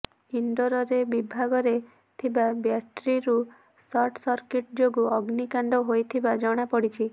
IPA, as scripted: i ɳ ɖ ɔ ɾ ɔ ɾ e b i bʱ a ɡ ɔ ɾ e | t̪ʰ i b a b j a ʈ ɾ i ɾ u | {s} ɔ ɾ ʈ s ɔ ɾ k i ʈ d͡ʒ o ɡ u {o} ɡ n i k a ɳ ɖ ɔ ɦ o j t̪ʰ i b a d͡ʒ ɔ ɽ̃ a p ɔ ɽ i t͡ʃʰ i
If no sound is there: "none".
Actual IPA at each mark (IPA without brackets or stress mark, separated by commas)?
s, ɔ